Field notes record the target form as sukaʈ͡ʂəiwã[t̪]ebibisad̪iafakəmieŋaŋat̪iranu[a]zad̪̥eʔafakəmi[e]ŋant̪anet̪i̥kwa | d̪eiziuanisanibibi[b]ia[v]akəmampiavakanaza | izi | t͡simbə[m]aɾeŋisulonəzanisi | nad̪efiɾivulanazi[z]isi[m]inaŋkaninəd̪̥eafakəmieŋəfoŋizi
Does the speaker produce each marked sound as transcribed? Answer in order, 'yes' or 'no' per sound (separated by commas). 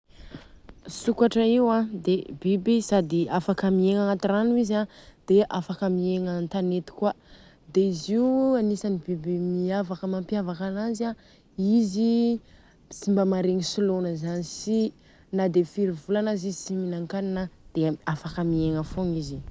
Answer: no, no, yes, no, yes, yes, yes, yes